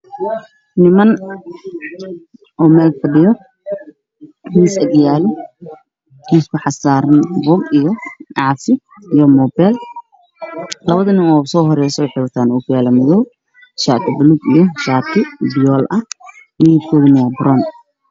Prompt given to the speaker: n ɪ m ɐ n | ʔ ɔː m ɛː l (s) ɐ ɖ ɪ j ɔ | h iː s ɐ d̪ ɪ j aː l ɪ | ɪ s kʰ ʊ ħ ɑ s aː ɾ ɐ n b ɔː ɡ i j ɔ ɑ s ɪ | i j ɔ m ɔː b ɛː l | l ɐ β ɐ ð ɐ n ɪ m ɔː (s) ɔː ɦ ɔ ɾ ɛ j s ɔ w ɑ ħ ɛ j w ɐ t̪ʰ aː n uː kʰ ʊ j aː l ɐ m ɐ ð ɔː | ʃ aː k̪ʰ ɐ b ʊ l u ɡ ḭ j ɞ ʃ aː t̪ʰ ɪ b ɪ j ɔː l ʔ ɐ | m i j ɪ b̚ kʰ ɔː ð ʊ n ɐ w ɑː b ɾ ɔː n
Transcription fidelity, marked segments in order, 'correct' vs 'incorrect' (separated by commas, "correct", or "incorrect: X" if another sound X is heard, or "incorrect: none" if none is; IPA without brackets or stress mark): incorrect: f, correct